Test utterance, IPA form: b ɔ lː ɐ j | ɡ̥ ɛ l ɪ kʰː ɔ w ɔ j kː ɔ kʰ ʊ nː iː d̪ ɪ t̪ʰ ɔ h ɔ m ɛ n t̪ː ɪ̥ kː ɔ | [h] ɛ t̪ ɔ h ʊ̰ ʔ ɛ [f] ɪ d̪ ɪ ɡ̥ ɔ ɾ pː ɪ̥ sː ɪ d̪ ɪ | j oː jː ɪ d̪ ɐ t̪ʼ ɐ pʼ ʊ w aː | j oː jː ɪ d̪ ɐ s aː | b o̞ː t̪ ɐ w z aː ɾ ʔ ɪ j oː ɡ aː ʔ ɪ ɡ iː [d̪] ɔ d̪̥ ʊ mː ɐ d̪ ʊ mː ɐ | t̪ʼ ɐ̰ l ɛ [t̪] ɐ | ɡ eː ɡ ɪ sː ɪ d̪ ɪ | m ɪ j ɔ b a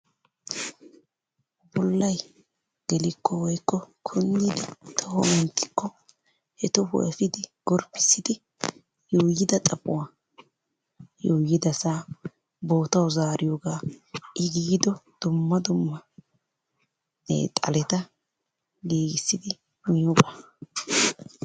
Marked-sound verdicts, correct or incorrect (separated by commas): correct, correct, correct, correct